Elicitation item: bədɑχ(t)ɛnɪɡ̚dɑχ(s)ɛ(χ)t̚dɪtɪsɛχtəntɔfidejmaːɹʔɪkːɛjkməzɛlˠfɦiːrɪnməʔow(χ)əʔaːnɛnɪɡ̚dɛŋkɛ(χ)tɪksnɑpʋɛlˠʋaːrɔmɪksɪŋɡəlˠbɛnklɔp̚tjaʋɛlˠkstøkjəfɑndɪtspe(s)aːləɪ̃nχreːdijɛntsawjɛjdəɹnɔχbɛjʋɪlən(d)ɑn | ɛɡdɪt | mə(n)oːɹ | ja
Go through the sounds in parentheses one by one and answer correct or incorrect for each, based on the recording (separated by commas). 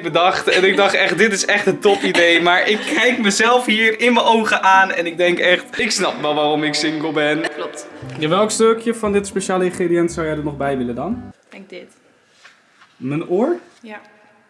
correct, incorrect, correct, correct, correct, incorrect, correct, correct